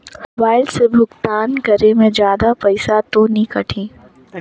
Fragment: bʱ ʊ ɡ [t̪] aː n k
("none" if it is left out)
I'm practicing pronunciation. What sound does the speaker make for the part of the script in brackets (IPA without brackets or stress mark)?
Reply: t̪